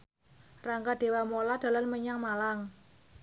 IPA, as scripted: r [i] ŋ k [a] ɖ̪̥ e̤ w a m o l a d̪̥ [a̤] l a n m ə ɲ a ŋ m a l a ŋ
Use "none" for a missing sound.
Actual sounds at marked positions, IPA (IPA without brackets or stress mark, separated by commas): a, a, a̤